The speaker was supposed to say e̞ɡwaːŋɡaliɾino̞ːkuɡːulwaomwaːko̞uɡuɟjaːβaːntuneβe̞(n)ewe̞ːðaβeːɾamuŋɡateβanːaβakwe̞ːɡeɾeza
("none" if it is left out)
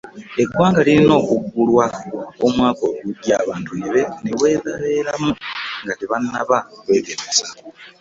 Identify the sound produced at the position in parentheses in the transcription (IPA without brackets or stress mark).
n